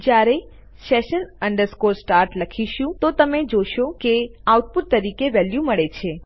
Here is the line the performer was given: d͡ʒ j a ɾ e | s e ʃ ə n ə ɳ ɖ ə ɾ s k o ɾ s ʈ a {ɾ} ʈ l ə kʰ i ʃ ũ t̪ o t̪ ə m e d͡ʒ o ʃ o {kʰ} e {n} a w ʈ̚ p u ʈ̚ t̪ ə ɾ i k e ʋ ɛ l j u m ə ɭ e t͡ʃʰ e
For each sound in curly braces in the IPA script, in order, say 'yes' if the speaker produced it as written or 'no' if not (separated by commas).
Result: yes, no, no